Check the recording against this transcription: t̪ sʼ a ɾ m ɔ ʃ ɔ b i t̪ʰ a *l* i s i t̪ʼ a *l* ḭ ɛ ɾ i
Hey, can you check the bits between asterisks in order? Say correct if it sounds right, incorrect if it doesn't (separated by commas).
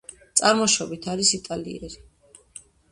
incorrect, correct